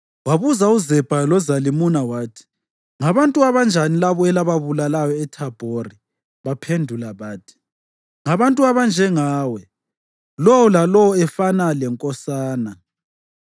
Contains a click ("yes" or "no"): no